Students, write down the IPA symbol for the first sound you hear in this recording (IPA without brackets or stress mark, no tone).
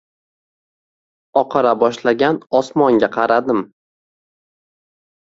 ɒ